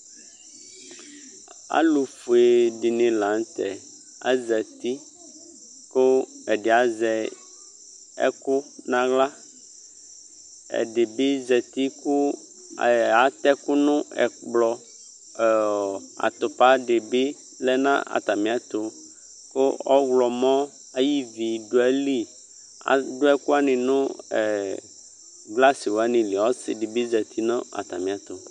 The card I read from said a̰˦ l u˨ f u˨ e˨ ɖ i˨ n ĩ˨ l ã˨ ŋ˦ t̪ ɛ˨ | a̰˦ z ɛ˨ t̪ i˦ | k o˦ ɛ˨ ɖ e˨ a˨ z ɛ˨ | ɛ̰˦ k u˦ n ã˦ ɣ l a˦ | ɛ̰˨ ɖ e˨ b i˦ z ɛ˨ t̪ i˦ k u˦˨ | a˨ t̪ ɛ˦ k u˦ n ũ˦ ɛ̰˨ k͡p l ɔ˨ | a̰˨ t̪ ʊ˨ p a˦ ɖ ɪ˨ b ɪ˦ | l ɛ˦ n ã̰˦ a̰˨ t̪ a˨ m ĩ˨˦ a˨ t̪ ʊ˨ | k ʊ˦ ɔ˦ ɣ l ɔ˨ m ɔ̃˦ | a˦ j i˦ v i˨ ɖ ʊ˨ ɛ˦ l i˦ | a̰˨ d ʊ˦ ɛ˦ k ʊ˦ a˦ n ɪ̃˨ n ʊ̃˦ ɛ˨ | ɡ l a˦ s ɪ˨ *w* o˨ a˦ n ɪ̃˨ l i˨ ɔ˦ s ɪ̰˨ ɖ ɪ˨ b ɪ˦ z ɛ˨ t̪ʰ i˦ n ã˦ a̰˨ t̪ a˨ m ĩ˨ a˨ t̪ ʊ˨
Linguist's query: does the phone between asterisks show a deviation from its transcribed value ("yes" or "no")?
no